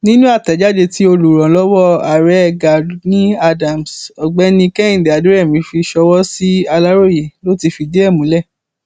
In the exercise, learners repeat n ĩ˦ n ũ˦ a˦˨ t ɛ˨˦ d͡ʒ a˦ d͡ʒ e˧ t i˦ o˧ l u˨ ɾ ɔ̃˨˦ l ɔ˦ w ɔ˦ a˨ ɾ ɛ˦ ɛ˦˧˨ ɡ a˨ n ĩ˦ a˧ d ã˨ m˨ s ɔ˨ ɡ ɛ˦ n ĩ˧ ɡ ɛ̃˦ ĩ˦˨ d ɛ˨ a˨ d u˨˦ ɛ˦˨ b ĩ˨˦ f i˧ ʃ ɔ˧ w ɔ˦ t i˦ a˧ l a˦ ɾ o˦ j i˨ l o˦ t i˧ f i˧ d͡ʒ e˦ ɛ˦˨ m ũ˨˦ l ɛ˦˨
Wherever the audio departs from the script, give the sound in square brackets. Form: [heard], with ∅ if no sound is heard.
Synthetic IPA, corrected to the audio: n ĩ˦ n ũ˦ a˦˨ t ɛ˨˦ d͡ʒ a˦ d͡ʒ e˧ t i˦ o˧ l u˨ ɾ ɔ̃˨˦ l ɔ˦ w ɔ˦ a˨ ɾ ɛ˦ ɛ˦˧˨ ɡ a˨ n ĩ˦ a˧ d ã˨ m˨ s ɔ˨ [ɡ͡b] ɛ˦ n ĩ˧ [k] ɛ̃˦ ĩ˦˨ d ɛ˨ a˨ d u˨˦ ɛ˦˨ [m] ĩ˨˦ f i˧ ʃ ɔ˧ w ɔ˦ [s] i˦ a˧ l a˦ ɾ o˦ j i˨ l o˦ t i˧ f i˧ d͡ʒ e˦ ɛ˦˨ m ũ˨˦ l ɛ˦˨